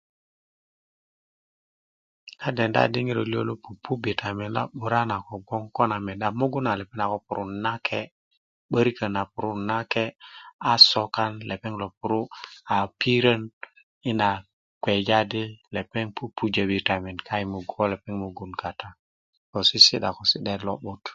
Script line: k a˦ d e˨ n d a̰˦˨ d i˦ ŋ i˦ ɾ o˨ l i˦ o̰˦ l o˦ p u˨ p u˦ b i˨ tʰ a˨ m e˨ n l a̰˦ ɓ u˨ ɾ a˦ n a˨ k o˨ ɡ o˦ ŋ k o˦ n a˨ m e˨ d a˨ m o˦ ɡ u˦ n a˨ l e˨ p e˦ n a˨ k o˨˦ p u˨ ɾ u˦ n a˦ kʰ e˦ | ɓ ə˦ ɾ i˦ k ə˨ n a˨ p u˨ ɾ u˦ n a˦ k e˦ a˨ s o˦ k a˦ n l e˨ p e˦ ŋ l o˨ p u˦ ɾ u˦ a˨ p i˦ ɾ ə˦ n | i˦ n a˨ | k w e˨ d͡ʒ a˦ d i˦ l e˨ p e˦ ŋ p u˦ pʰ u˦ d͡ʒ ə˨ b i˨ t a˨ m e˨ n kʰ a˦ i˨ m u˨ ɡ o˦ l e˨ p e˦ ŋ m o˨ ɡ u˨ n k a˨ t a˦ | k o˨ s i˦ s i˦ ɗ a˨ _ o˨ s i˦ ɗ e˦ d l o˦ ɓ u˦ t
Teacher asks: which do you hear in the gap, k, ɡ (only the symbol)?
k